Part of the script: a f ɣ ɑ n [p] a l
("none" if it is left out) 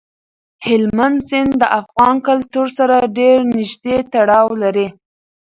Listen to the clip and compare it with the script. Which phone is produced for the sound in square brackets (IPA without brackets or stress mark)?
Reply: k